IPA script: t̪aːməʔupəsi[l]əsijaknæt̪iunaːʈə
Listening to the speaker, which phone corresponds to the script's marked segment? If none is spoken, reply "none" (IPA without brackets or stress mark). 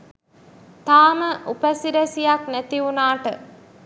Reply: ɾ